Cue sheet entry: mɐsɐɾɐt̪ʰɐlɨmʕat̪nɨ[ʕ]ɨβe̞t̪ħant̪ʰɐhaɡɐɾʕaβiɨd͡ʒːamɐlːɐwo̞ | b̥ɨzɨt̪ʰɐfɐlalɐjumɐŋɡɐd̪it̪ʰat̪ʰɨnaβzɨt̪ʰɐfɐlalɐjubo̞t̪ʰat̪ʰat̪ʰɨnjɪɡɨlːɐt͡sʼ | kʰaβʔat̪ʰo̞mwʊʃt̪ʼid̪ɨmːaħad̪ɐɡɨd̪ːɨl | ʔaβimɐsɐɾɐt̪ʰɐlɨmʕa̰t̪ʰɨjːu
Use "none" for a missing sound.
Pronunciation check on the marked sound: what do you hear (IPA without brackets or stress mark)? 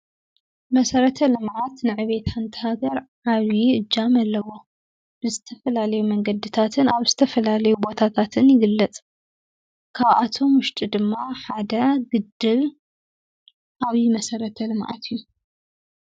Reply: ʕ